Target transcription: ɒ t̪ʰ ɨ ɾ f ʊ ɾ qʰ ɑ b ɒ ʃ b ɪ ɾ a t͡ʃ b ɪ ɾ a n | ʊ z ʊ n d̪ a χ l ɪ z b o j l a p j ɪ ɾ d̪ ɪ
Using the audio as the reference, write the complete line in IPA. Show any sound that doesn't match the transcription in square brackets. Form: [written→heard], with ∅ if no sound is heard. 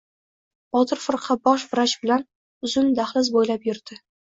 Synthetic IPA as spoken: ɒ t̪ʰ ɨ ɾ f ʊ ɾ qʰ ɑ b ɒ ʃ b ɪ ɾ a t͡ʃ b ɪ [ɾ→l] a n | ʊ z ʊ n d̪ a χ l ɪ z b o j l a p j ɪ ɾ d̪ ɪ